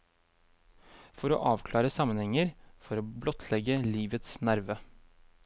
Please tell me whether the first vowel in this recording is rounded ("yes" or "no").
yes